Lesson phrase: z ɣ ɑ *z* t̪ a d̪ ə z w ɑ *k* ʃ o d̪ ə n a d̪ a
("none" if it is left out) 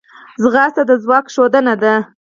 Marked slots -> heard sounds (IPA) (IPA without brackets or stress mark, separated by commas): s, k